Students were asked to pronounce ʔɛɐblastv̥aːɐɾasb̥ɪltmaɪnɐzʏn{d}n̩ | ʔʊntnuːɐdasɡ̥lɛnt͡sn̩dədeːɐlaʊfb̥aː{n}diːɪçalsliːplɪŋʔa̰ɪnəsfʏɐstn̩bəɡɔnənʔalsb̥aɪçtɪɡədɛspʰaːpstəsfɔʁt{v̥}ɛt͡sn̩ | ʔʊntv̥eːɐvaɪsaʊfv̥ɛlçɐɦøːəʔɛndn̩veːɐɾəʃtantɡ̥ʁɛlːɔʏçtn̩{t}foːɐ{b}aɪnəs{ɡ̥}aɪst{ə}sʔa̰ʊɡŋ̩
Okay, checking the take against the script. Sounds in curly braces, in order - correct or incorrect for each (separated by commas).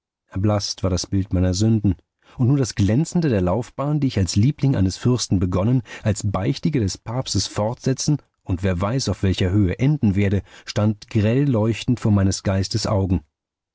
correct, correct, incorrect, correct, incorrect, correct, correct